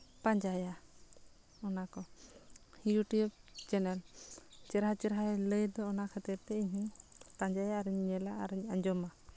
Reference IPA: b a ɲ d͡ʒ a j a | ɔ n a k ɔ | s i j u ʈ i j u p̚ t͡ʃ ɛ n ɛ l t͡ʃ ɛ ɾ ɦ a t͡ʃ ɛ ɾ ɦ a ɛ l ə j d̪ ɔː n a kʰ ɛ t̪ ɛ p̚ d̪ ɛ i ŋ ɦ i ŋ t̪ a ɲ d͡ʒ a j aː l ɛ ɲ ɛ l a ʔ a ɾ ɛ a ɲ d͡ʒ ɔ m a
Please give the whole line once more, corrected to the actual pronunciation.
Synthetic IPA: p a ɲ d͡ʒ a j a | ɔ n a k ɔ | h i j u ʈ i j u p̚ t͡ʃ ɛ n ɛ l t͡ʃ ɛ ɾ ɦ a t͡ʃ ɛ ɾ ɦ a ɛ l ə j d̪ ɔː n a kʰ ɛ t̪ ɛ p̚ t̪ ɛ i ɲ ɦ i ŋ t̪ a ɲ d͡ʒ a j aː ɾ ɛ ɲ ɛ l a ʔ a ɾ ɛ a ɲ d͡ʒ ɔ m a